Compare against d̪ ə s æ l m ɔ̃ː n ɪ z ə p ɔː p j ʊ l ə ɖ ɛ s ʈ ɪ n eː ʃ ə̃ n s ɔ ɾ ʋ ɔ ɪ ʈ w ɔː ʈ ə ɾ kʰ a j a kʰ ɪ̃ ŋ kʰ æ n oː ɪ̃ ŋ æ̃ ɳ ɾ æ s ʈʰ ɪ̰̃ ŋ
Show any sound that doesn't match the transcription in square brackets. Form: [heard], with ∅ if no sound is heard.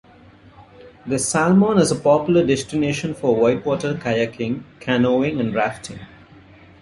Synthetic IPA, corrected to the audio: d̪ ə s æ l m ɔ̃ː n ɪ z ə p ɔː p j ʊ l ə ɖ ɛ s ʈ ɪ n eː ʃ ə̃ n [f] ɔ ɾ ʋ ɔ ɪ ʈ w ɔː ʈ ə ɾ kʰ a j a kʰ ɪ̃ ŋ kʰ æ n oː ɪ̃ ŋ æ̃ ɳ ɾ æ [f] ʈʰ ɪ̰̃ ŋ